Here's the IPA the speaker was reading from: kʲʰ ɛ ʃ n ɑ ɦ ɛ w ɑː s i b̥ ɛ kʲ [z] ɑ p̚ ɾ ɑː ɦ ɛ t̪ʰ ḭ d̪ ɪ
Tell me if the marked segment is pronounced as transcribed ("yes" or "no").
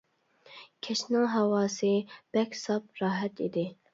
no